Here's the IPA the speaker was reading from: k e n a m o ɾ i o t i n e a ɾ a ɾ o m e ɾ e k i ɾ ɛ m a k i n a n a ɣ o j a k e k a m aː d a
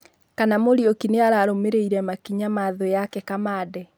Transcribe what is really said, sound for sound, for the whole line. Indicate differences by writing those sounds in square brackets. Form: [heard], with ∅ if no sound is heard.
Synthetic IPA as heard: k [a] n a m o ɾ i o [k] i n e a ɾ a ɾ o m e ɾ e [∅] i ɾ ɛ m a k i [ɲ] a [m] a [ð] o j a k [ɛ] k a m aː d [ɛ]